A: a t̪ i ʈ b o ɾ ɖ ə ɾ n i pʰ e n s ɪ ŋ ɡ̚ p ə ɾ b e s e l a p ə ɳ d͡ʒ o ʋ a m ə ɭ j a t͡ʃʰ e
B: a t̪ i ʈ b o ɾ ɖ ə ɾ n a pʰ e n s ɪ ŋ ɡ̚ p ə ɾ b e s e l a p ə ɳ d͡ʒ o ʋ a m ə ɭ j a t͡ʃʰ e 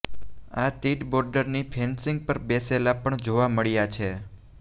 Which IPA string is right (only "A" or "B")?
A